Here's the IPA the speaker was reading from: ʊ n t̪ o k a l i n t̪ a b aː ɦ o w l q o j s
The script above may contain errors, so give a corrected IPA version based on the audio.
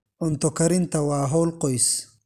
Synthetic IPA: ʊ n t̪ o k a ɾ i n t̪ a w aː ɦ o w l q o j s

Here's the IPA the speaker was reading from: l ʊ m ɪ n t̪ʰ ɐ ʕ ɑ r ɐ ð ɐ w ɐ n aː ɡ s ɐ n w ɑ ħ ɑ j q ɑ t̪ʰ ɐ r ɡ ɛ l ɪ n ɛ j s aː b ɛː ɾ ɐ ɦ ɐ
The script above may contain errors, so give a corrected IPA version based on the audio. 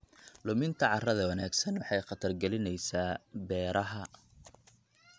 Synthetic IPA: l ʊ m ɪ n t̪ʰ ɐ ʕ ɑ r ɐ ð ɐ w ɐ n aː ɡ s ɐ n w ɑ ħ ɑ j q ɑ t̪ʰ ɐ r ɡ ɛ l ɪ n ɛ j s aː b ɛː ɾ ɐ ɦ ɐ

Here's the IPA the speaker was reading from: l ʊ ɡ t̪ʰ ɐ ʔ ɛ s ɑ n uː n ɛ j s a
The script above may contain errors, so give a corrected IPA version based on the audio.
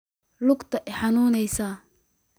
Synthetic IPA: l ʊ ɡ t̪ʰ ɐ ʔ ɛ ħ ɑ n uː n ɛ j s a

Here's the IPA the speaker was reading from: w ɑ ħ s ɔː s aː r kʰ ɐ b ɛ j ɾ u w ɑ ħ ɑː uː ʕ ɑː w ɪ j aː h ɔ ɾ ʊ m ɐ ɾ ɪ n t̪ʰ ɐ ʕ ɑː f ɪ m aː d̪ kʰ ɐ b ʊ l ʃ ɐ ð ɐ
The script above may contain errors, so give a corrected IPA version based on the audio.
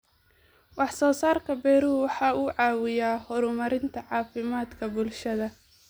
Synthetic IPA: w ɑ ħ s ɔː s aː r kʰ ɐ b ɛ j ɾ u w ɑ ħ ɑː uː ʕ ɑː w ɪ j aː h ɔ ɾ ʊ m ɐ ɾ ɪ n t̪ʰ ɐ ʕ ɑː f ɪ m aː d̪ kʰ ɐ b ʊ l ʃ ɐ ð ɐ

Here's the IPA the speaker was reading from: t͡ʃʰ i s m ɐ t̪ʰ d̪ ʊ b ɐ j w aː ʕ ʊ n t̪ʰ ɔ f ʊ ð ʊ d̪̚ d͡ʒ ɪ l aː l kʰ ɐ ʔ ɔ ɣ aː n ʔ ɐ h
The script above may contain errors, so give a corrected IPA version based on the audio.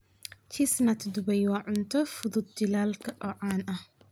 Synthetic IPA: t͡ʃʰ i s n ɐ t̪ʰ d̪ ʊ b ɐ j w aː ʕ ʊ n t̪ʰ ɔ f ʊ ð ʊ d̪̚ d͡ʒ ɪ l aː l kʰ ɐ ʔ ɔ ʕ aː n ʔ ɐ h

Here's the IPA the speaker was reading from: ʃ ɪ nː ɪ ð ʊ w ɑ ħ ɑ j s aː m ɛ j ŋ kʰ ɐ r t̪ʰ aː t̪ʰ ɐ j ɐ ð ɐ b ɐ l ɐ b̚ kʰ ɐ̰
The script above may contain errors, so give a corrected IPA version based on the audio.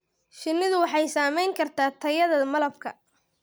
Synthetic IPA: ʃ ɪ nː ɪ ð ʊ w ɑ ħ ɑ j s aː m ɛ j ŋ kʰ ɐ r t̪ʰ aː t̪ʰ ɐ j ɐ ð ɐ m ɐ l ɐ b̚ kʰ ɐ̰

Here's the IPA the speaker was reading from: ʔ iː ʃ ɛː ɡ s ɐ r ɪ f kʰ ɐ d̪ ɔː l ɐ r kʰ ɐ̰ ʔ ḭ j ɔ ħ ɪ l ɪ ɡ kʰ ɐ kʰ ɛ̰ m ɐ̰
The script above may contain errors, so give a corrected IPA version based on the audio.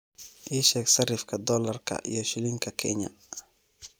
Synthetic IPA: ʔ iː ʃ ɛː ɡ s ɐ r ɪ f kʰ ɐ d̪ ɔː l ɐ r kʰ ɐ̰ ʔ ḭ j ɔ ʃ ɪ l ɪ ŋ kʰ ɐ kʰ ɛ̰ ɲ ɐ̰

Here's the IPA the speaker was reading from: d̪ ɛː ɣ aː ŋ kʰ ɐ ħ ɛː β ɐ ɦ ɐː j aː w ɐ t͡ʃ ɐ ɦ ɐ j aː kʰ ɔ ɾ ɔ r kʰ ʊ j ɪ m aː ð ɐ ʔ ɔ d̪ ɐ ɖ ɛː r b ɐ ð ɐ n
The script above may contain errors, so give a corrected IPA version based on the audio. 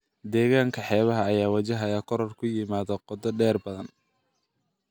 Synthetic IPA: d̪ ɛː ɣ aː ŋ kʰ ɐ ħ ɛː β ɐ ɦ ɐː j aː w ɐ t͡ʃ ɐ ɦ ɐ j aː kʰ ɔ ɾ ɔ r kʰ ʊ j ɪ m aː ð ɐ q ɔ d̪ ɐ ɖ ɛː r b ɐ ð ɐ n

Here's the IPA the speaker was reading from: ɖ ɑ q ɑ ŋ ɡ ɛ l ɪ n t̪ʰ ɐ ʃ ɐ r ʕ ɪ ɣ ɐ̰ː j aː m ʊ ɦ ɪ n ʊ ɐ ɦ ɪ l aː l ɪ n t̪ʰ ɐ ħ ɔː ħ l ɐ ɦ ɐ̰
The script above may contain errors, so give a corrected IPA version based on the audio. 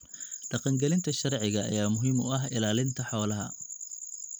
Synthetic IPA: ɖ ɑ q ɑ ŋ ɡ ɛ l ɪ n t̪ʰ ɐ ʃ ɐ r ʕ ɪ ɣ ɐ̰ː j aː m ʊ ɦ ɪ m ʊ ɐ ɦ ɪ l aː l ɪ n t̪ʰ ɐ ħ ɔː l ɐ ɦ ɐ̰

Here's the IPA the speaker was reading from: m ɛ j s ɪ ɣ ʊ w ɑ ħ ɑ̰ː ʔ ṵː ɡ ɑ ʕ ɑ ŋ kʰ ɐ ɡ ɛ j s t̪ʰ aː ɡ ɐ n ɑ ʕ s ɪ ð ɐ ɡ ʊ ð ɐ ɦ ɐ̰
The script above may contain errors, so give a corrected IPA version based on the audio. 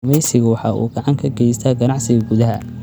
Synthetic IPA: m ɛ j s ɪ ɣ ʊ w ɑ ħ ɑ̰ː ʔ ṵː ɡ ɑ ʕ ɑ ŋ kʰ ɐ ɡ ɛ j s t̪ʰ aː ɡ ɐ n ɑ ʕ s ɪ ɣ ɐ ɡ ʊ ð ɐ ɦ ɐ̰

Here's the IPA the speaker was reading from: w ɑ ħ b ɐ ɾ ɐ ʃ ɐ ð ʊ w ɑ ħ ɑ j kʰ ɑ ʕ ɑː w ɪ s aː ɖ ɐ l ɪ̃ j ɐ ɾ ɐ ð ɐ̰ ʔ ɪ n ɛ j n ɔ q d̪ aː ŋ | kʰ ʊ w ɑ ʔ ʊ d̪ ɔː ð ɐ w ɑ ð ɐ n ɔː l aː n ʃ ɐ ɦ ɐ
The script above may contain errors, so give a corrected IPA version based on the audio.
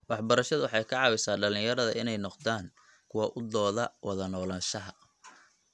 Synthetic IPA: w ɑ ħ b ɐ ɾ ɐ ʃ ɐ ð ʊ w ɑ ħ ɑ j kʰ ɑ ʕ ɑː w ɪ s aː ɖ ɐ l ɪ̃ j ɐ ɾ ɐ ð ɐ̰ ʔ ɪ n ɛ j n ɔ q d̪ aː ŋ | kʰ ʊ w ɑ ʔ ʊ d̪ ɔː ð ɐ w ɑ ð ɐ n ɔː l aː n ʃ ɐ ɦ ɐ

